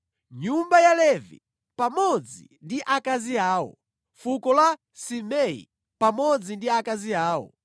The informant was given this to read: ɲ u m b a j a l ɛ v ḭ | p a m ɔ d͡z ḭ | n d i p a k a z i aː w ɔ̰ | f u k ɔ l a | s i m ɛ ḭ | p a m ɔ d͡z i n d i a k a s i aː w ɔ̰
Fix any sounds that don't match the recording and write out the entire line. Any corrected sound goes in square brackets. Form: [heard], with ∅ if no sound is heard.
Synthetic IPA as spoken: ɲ u m b a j a l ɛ v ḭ | p a m ɔ d͡z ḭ | n d i [ʔ] a k a z i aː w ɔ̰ | f u k ɔ l a | s i m ɛ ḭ | p a m ɔ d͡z i n d i a k a [z] i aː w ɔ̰